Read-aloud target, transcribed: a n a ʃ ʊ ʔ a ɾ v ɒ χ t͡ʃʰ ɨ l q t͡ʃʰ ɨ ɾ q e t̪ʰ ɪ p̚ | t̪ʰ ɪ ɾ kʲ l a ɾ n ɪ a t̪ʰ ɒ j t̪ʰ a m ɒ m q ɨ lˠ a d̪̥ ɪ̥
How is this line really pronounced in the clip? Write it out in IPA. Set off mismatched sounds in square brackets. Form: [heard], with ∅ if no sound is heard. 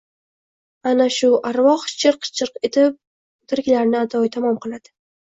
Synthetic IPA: a n a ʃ ʊ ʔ a ɾ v ɒ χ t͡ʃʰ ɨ [ɾ] q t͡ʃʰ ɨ ɾ q e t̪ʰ ɪ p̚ | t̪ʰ ɪ ɾ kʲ l a ɾ n ɪ a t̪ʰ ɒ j t̪ʰ a m ɒ m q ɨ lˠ a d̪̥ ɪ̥